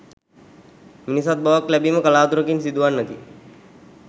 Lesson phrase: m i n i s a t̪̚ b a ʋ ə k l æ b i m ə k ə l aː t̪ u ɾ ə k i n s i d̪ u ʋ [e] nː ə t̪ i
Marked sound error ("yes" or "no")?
yes